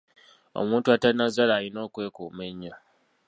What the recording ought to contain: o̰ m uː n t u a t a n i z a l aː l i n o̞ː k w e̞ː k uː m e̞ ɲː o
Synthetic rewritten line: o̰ m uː n t u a t a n a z a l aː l i n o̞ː k w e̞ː k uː m e̞ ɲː o